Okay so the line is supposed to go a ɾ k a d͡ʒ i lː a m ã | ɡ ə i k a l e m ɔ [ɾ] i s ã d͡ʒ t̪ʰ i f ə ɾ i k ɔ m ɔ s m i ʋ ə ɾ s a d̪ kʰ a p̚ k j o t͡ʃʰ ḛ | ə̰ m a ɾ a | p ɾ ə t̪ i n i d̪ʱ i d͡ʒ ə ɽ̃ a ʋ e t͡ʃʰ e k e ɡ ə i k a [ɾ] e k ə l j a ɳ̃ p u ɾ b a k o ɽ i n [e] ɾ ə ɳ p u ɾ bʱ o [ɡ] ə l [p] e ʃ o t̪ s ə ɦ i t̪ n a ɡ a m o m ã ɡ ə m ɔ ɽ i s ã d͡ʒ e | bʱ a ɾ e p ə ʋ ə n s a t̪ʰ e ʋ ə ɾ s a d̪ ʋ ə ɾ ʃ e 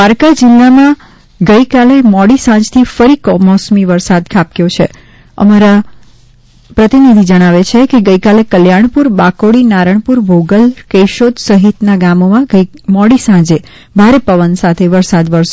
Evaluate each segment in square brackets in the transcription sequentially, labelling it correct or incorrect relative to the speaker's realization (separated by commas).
incorrect, incorrect, incorrect, correct, incorrect